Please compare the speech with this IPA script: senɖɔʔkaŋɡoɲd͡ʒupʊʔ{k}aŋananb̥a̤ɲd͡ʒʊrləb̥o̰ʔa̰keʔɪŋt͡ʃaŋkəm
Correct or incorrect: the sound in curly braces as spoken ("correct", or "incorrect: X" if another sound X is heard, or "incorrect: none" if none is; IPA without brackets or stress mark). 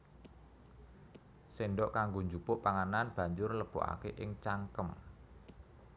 incorrect: p